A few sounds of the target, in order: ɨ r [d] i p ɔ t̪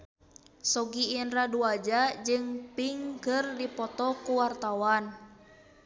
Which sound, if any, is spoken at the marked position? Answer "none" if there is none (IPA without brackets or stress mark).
d